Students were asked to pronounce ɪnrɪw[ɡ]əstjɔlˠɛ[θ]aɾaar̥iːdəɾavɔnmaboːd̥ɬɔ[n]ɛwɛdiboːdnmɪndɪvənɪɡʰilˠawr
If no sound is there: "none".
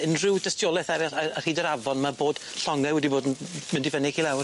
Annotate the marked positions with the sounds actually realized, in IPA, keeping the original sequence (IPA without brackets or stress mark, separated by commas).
d, θ, ŋ